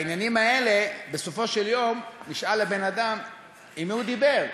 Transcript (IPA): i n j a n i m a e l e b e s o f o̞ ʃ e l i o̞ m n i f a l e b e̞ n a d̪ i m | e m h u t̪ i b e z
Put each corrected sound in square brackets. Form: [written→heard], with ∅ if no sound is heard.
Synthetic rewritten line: i n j a n i m a e l e b e s o f o̞ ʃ e l [i→j] o̞ m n i [f→ʃ] a l e b e̞ n a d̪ [i→a] m | [e→i] m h u [t̪→d̪] i b e [z→ʁ]